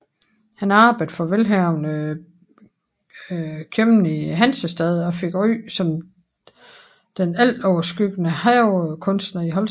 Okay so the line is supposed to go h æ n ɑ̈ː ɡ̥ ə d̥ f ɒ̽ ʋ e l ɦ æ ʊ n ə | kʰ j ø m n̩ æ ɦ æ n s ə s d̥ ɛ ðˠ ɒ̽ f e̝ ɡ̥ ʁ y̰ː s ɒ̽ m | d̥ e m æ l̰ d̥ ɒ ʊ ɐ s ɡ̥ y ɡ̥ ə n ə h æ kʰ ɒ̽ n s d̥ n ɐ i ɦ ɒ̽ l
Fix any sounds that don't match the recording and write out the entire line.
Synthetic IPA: h æ n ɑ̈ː b̥ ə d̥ f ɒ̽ ʋ e l ɦ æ ʊ n ə | kʰ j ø m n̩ i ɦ æ n s ə s d̥ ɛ ðˠ ɒ̽ f e̝ ɡ̥ ʁ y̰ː s ɒ̽ m | d̥ e n æ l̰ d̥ ɒ ʊ ɐ s ɡ̥ y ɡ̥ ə n ə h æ kʰ ɔ̽ n s d̥ n ɐ i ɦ ɒ̽ l